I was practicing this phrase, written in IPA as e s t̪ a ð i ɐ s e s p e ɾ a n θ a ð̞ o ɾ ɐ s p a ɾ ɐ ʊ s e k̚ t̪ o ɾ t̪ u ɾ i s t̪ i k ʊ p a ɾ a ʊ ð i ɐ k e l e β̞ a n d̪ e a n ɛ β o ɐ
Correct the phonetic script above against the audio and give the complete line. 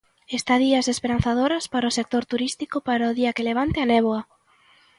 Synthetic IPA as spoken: e s t̪ a ð i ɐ s e s p e ɾ a n θ a ð̞ o ɾ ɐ s p a ɾ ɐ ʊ s e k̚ t̪ o ɾ t̪ u ɾ i s t̪ i k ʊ p a ɾ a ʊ ð i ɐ k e l e β̞ a n t̪ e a n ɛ β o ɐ